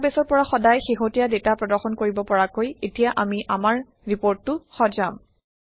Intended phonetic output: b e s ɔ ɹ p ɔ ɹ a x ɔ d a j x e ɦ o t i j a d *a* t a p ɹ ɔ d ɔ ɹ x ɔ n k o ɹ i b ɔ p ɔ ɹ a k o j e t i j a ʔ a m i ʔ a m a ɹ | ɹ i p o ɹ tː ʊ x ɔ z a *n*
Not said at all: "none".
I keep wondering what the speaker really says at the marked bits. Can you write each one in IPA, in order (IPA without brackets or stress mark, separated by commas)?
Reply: e, m